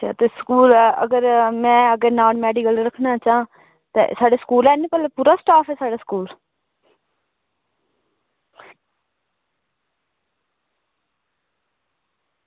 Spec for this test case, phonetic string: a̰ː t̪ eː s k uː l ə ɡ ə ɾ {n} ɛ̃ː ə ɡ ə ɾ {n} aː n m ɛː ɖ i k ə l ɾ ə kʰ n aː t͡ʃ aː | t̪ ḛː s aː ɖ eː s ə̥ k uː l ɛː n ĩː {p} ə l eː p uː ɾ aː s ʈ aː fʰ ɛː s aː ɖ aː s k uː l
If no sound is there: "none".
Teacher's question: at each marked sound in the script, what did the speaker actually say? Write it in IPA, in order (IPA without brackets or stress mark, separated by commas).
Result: m, n, p